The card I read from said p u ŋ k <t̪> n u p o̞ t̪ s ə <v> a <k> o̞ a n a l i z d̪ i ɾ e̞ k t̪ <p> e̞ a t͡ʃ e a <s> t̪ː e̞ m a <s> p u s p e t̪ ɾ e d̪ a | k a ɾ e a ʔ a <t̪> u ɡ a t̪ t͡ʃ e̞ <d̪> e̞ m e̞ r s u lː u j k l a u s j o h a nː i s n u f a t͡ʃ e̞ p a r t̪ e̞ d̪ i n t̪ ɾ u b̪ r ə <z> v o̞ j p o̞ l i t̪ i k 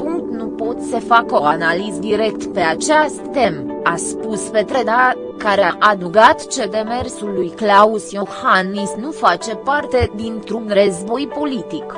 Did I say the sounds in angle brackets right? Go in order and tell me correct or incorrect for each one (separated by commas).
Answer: correct, incorrect, correct, correct, correct, correct, incorrect, correct, correct